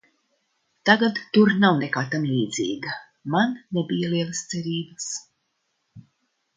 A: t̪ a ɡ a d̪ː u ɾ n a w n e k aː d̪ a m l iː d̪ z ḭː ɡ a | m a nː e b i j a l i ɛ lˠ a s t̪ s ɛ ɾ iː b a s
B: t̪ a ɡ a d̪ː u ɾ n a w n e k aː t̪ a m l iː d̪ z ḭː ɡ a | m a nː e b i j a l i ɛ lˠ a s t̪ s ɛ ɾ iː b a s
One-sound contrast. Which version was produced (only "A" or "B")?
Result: B